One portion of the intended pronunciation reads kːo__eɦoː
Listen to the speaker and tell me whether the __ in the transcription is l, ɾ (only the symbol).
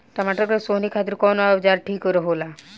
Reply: ɾ